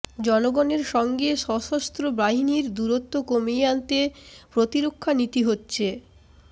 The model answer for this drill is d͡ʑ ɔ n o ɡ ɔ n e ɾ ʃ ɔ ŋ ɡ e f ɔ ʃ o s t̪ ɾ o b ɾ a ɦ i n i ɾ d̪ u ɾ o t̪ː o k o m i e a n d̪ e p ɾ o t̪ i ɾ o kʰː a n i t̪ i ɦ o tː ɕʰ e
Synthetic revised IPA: d͡ʑ ɔ n o ɡ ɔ n e ɾ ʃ ɔ ŋ ɡ e ʃ ɔ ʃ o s t̪ ɾ o b ɾ a ɦ i n i ɾ d̪ u ɾ o t̪ː o k o m i e a n t̪ e p ɾ o t̪ i ɾ o kʰː a n i t̪ i ɦ o tː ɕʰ e